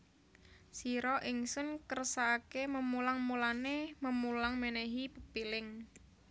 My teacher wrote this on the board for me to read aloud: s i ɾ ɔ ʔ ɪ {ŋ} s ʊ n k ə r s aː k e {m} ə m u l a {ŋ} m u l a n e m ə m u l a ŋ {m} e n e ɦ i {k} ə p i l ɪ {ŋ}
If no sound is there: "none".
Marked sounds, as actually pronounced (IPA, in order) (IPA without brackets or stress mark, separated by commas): ŋ, m, ŋ, m, p, ŋ